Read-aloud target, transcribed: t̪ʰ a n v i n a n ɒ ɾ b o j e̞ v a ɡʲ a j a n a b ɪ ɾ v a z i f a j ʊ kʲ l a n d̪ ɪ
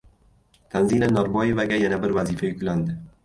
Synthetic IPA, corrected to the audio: t̪ʰ a n z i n a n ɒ ɾ b ɒ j e̞ v a ɡʲ a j a n a b ɪ ɾ v a z i f a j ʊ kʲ l a n d̪ ɪ